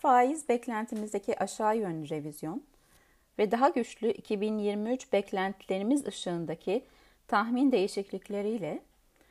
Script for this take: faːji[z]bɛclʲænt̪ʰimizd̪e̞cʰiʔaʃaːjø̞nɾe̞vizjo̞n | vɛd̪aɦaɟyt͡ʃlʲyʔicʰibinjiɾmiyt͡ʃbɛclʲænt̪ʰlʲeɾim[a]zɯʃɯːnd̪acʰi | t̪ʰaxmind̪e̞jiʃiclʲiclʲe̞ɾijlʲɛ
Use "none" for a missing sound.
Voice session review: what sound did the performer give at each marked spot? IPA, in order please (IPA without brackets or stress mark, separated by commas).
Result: z, i